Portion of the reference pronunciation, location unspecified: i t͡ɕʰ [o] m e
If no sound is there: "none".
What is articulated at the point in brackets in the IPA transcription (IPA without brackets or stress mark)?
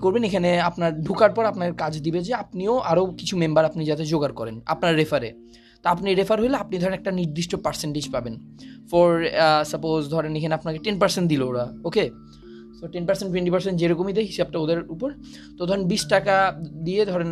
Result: u